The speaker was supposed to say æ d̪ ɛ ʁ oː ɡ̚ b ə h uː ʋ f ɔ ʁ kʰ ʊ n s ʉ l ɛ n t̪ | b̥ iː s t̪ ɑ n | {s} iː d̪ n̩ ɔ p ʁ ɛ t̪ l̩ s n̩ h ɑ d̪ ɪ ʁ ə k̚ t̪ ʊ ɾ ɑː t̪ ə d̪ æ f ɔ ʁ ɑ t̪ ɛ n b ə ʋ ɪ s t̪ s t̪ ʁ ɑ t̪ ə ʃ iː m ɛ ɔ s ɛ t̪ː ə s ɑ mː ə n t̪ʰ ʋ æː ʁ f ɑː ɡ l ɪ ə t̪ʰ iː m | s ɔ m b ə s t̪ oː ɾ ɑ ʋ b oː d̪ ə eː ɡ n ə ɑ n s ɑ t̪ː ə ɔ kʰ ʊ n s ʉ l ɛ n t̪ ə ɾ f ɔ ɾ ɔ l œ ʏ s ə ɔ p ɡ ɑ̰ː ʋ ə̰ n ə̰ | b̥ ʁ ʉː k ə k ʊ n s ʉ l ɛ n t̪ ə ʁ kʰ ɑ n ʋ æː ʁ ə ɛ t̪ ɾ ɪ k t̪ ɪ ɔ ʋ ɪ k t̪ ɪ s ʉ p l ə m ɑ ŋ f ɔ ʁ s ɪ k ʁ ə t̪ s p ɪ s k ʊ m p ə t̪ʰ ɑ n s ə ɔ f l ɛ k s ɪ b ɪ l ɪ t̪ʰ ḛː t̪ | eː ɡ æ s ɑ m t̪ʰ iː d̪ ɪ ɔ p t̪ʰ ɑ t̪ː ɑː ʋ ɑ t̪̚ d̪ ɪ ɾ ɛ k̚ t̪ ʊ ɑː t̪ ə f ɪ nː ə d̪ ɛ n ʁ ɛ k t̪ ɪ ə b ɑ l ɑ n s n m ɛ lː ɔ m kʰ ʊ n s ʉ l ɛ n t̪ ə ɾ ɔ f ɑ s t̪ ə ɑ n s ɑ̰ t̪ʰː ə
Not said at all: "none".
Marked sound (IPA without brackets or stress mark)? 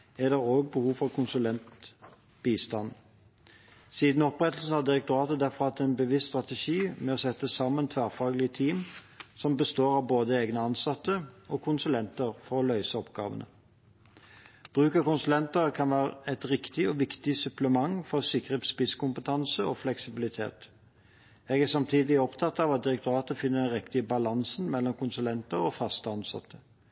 s